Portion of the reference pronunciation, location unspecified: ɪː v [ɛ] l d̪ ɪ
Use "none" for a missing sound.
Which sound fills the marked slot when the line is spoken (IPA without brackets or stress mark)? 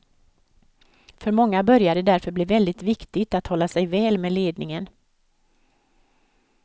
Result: ɛ